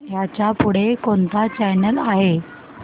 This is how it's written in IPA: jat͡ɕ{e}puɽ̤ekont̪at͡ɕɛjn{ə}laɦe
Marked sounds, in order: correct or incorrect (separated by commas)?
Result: incorrect, correct